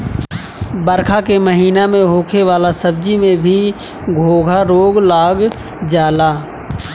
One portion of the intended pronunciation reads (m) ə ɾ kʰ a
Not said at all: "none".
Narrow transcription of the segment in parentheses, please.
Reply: b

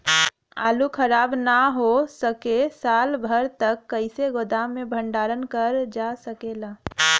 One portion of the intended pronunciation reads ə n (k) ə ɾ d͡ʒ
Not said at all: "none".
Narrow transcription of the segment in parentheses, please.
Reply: k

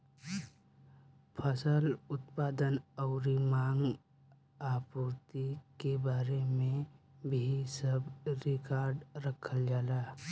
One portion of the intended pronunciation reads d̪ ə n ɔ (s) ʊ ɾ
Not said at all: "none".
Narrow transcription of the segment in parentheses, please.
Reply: none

